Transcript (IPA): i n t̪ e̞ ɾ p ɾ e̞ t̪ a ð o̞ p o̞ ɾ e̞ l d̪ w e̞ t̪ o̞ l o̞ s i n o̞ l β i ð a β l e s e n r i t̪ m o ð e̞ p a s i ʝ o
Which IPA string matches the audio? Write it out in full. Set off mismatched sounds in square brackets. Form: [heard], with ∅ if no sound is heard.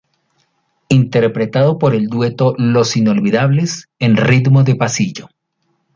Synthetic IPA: i n t̪ e̞ ɾ p ɾ e̞ t̪ a ð o̞ p o̞ ɾ e̞ l d̪ w e̞ t̪ o̞ l o̞ s i n o̞ l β i ð a β l e s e n r i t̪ m o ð e̞ p a s i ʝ o